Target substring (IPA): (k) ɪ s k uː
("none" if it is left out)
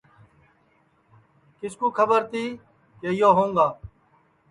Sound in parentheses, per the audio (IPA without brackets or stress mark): k